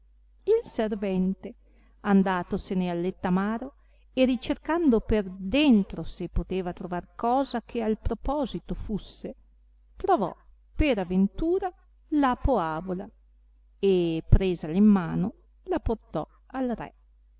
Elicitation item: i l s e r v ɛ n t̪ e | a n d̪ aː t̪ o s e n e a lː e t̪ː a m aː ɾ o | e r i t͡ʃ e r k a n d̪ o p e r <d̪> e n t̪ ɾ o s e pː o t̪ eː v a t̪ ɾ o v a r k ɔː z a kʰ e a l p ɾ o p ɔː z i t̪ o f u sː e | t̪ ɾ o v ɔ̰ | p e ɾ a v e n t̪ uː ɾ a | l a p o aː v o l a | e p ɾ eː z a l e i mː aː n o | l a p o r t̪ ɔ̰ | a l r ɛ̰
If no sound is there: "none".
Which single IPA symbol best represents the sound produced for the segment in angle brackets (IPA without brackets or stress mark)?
d̪